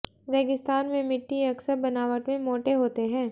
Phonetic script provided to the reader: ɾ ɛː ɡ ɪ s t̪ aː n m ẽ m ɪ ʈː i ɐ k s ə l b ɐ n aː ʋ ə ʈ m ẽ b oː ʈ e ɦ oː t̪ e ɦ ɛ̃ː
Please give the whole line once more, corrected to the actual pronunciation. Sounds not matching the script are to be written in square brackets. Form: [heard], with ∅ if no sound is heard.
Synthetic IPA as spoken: ɾ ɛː ɡ ɪ s t̪ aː n m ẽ m ɪ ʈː i ɐ k s ə [ɾ] b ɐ n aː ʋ ə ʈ m ẽ [m] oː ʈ e ɦ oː t̪ e ɦ ɛ̃ː